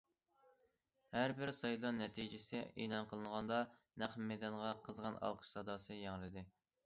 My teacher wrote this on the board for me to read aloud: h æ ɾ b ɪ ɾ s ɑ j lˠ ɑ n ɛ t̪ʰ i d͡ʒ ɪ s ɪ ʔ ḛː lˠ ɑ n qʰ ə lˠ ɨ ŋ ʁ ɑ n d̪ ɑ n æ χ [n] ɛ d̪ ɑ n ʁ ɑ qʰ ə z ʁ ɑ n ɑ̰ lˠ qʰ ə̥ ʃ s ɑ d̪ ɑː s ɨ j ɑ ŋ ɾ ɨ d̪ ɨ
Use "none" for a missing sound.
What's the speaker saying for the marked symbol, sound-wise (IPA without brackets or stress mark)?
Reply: m